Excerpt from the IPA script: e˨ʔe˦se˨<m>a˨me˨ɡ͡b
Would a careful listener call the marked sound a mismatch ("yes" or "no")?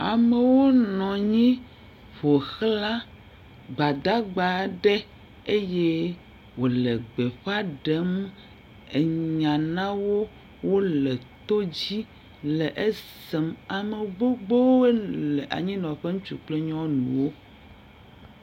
no